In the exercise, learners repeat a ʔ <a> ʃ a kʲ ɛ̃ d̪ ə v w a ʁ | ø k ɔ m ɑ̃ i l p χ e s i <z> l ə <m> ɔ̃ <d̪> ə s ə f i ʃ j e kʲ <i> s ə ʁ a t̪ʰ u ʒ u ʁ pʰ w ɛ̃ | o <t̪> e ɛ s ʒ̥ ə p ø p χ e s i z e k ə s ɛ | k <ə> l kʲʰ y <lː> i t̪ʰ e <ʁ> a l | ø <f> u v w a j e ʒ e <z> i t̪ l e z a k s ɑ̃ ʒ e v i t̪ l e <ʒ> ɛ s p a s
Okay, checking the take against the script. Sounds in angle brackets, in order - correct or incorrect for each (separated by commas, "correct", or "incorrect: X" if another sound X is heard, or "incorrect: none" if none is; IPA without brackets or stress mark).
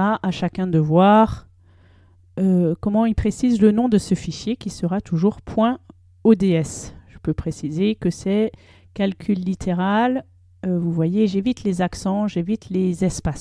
correct, correct, incorrect: n, correct, correct, incorrect: d̪, incorrect: a, correct, correct, incorrect: v, incorrect: v, incorrect: z